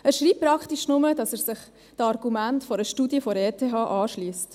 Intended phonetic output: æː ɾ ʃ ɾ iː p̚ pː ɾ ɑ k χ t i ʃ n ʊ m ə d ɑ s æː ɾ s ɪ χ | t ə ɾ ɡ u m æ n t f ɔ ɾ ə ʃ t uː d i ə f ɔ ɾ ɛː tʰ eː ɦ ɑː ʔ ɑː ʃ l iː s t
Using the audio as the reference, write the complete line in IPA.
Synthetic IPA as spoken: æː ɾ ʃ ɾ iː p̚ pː ɾ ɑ k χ t i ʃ n ʊ m ə d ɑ s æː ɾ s ɪ χ | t ɑ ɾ ɡ u m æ n t f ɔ ɾ ə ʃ t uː d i ə f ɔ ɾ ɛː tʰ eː ɦ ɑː ʔ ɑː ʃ l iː s t